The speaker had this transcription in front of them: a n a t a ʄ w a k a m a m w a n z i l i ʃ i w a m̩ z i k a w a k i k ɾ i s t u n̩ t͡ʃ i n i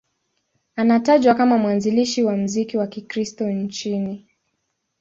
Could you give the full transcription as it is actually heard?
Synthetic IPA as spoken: a n a t a ʄ w a k a m a m w a n z i l i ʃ i w a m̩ z i k i w a k i k ɾ i s t ɔ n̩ t͡ʃ i n i